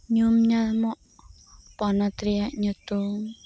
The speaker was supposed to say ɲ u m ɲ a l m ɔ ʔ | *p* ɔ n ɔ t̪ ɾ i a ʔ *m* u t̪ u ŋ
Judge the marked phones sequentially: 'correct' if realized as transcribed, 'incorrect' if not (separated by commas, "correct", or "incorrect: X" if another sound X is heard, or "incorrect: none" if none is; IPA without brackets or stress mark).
correct, incorrect: ɲ